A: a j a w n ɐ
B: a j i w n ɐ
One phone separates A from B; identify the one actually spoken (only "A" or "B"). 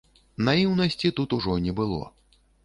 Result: B